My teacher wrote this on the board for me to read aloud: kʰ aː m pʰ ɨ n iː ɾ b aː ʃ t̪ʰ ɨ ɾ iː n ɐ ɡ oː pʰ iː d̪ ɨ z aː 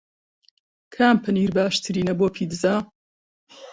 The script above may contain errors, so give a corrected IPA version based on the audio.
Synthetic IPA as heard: kʰ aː m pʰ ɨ n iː ɾ b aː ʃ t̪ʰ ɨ ɾ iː n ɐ b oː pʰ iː d̪ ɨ z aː